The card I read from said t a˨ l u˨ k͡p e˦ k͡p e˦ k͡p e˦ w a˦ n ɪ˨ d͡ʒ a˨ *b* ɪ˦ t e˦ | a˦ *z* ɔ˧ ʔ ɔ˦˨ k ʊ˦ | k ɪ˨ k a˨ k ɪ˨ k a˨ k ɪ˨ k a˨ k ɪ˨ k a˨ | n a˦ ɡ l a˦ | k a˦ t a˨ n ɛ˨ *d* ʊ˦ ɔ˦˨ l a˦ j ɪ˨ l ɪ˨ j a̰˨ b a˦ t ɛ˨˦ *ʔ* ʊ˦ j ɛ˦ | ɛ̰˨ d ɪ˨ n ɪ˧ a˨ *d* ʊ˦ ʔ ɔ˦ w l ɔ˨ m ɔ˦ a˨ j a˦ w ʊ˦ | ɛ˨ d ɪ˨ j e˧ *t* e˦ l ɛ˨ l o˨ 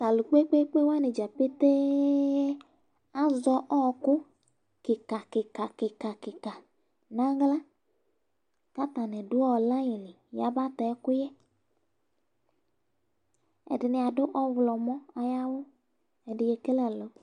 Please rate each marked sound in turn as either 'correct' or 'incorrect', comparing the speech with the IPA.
incorrect: p, correct, correct, incorrect: k, correct, incorrect: k

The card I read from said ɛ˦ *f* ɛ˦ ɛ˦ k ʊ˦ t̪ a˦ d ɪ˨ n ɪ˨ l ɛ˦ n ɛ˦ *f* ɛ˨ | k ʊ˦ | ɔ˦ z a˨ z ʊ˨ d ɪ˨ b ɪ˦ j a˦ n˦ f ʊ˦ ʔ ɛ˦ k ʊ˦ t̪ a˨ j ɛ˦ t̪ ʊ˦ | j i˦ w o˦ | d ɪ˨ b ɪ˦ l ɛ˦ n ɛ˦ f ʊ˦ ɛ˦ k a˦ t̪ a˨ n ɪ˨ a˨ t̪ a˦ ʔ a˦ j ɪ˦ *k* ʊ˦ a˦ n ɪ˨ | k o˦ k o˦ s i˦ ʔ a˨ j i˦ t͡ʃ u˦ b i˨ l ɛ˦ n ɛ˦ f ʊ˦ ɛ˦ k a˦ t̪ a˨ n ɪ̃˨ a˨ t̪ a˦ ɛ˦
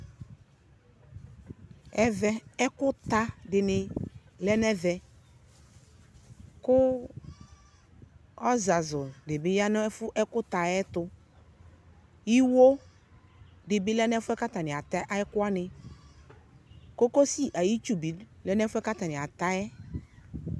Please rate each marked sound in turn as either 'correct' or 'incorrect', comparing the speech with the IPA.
incorrect: v, incorrect: v, correct

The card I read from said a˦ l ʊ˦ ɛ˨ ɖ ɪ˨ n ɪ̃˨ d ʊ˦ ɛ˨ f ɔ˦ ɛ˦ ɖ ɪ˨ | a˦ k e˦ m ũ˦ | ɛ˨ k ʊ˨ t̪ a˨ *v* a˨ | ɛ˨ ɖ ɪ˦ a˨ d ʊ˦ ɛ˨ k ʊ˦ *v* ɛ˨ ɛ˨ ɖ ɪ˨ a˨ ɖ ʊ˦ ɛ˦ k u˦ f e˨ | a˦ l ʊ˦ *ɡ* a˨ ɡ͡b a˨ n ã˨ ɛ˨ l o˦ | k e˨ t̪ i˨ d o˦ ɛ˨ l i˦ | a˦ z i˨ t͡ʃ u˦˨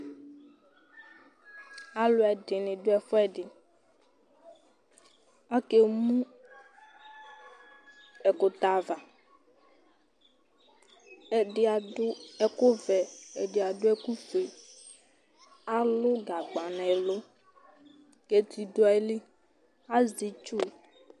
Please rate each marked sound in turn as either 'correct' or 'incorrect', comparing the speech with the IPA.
correct, correct, correct

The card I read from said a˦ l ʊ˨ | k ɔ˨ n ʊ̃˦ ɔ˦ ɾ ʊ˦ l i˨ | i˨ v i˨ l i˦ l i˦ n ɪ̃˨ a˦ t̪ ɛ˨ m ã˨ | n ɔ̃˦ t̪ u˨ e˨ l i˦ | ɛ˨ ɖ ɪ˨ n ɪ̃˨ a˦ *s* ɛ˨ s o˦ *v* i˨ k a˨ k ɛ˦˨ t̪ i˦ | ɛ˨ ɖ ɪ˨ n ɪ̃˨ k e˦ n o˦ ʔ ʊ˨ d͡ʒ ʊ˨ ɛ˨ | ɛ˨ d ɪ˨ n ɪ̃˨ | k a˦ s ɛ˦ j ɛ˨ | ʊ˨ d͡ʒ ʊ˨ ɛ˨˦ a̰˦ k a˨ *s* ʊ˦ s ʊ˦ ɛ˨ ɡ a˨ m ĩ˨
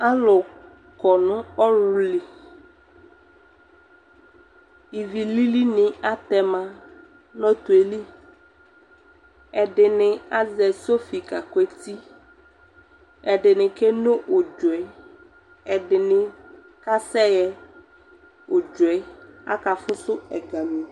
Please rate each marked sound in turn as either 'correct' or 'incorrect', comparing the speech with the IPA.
incorrect: z, incorrect: f, incorrect: f

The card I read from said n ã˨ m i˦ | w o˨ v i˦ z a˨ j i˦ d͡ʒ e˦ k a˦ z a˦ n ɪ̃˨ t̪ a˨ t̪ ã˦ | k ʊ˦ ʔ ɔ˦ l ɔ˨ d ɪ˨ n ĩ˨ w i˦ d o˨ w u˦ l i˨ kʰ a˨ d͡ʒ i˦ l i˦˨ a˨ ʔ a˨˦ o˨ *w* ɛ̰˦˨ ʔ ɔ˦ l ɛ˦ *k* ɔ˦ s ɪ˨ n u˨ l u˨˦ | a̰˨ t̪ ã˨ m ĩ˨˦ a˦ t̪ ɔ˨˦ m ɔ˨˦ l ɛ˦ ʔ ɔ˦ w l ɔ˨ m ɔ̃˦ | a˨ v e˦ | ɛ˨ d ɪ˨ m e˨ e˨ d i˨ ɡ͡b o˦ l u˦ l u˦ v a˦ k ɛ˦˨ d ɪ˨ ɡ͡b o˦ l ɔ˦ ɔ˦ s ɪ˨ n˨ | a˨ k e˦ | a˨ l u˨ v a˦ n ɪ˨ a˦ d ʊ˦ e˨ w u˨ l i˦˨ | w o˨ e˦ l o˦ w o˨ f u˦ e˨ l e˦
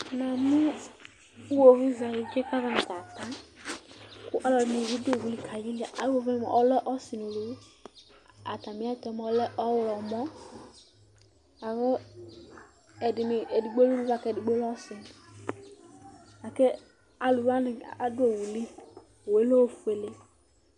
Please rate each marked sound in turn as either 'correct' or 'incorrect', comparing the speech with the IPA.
incorrect: v, incorrect: ʔ

